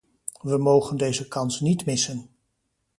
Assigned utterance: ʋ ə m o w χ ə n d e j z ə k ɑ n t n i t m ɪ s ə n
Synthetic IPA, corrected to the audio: ʋ ə m o w χ ə n d e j z ə k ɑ n s n i t m ɪ s ə n